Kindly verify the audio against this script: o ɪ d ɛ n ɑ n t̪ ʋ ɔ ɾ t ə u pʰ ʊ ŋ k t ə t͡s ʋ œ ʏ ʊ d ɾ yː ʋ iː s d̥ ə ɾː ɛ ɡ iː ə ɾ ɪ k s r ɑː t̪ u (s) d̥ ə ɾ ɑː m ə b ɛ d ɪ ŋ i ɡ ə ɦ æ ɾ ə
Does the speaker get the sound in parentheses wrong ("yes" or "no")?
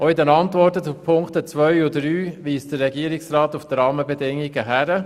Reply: yes